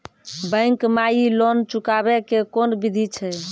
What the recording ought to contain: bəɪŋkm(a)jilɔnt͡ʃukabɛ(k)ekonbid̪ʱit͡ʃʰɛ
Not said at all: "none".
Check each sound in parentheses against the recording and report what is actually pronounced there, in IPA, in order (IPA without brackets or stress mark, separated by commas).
a, k